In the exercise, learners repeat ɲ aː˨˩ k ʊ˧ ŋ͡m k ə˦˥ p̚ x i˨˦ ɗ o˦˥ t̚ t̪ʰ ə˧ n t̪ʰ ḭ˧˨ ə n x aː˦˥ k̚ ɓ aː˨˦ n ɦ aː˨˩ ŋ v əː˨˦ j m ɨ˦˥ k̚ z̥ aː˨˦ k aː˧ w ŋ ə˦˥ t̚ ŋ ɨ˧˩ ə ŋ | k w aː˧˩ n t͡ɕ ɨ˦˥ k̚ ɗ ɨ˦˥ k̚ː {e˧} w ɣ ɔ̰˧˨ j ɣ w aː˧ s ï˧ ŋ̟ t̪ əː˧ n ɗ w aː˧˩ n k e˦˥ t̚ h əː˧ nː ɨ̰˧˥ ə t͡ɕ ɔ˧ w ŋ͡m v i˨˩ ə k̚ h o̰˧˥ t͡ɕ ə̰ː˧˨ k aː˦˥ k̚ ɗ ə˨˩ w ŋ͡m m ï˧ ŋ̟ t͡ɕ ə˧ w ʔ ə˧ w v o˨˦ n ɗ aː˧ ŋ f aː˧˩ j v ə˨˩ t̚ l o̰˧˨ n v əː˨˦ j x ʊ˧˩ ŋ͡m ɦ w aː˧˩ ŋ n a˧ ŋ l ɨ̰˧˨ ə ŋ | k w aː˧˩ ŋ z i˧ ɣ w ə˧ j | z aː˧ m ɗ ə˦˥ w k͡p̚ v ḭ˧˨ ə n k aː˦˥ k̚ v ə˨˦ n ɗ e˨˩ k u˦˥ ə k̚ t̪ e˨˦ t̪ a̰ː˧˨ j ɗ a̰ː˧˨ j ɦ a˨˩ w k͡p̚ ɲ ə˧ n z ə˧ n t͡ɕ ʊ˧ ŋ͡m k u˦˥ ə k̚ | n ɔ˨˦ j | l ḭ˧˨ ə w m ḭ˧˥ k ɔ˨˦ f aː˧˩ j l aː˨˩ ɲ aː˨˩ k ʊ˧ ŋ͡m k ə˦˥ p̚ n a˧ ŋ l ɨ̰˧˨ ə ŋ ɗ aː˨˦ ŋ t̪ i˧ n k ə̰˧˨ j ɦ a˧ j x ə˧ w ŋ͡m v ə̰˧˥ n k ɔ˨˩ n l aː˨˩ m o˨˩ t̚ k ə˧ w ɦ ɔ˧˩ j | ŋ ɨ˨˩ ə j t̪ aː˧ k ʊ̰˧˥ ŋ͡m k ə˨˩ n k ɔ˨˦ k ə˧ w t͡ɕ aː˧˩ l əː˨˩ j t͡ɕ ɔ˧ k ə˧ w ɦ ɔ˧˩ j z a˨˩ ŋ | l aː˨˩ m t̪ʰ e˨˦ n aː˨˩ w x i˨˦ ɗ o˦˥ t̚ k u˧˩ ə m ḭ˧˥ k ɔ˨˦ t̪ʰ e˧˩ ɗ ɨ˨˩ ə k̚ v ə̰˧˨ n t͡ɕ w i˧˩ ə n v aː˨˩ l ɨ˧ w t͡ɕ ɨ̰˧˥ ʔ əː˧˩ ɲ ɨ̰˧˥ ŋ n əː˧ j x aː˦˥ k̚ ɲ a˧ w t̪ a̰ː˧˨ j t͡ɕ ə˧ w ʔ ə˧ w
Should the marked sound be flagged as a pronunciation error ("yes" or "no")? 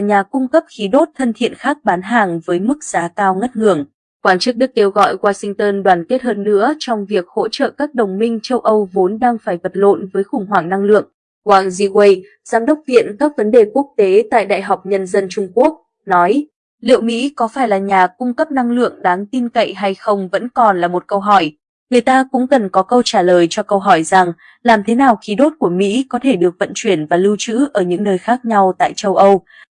no